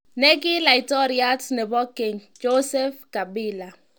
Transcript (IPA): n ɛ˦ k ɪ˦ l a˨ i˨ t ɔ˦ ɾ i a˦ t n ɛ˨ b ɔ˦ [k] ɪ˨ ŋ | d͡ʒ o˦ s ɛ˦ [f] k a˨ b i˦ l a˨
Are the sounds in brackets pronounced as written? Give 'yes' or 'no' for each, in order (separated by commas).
yes, yes